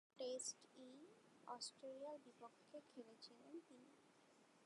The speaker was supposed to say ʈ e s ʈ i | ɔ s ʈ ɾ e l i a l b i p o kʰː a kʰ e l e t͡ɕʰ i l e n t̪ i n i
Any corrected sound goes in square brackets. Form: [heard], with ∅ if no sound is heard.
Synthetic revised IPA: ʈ e s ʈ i | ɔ s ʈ ɾ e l i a l b i p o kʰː [e] kʰ e l e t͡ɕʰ i l e n t̪ i n i